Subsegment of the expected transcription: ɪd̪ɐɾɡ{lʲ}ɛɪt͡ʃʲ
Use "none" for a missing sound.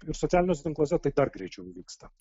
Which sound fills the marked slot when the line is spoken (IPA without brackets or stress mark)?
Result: ɾʲ